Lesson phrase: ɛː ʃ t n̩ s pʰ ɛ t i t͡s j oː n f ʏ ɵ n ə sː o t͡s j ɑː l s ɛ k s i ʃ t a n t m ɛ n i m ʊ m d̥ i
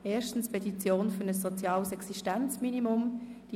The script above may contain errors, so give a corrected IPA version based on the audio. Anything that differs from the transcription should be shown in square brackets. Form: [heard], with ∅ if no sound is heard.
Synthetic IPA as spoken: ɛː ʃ t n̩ s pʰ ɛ t i t͡s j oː n f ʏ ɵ n ə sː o t͡s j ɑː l s ɛ k s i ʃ t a n [t͡s] m [i] n i m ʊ m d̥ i